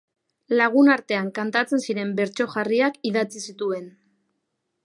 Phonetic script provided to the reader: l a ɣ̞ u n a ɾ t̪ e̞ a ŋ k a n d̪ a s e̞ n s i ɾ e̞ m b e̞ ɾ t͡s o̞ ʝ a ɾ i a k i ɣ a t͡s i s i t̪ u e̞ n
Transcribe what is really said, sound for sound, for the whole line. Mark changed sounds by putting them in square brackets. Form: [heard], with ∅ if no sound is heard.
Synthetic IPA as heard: l a ɣ̞ u n a ɾ t̪ e̞ a ŋ k a n [t̪] a [t͡s] e̞ n s i ɾ e̞ m b e̞ ɾ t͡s o̞ ʝ a [r] i a k i [ð] a t͡s i s i t̪ u e̞ n

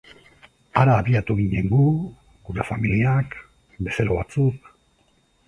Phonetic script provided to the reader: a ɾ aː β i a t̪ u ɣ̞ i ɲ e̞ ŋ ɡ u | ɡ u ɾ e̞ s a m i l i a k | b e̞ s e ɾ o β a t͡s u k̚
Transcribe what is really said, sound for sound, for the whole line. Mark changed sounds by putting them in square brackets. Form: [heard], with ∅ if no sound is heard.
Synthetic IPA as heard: a ɾ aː β i a t̪ u ɣ̞ i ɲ e̞ ŋ ɡ u | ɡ u ɾ e̞ [f] a m i l i a k | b e̞ s e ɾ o β a t͡s u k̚

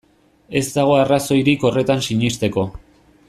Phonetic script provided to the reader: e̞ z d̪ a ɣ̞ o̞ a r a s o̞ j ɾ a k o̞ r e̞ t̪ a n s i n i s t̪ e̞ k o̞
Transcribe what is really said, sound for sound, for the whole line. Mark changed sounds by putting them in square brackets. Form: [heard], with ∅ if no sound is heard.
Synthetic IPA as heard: e̞ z d̪ a ɣ̞ o̞ a r a s o̞ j ɾ [i] k o̞ r e̞ t̪ a n s i [ɲ] i s t̪ e̞ k o̞

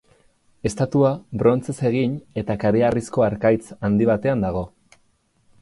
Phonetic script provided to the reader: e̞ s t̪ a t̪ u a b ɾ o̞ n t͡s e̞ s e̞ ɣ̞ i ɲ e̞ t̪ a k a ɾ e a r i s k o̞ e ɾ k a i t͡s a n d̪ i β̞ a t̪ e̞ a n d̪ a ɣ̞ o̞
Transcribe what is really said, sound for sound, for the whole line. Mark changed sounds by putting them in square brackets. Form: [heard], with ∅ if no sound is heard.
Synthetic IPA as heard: e̞ s t̪ a t̪ u a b ɾ o̞ n t͡s e̞ s e̞ ɣ̞ i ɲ e̞ t̪ a k a ɾ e a r i s k o̞ [a] ɾ k a [j] t͡s a n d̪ i β̞ a t̪ e̞ a n d̪ a ɣ̞ o̞

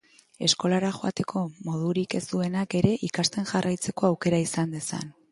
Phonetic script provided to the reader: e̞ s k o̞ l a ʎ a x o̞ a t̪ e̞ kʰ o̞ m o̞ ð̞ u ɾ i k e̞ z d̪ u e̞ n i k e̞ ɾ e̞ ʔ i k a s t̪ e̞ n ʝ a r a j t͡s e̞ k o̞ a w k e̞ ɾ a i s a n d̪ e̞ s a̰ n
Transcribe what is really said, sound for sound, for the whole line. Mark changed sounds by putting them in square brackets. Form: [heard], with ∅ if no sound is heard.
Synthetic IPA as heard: e̞ s k o̞ l a [ɾ] a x o̞ a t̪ e̞ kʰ o̞ m o̞ ð̞ u ɾ i k e̞ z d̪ u e̞ n [a] k e̞ ɾ e̞ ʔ i k a s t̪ e̞ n ʝ a r a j t͡s e̞ k o̞ a w k e̞ ɾ a i s a n d̪ e̞ s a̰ n

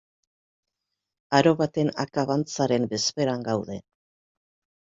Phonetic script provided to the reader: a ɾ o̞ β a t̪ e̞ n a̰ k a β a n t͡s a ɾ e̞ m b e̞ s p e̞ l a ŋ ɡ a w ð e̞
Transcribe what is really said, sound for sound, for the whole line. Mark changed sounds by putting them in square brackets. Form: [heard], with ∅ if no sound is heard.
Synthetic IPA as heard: a ɾ o̞ β a t̪ e̞ n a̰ k a β a n t͡s a ɾ e̞ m b e̞ s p e̞ [ɾ] a ŋ ɡ a w ð e̞

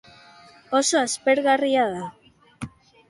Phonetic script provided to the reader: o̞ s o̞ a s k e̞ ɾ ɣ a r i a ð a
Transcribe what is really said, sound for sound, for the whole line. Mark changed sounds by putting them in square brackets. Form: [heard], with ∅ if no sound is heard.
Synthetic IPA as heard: o̞ s o̞ a s [p] e̞ ɾ ɣ a r i a ð a

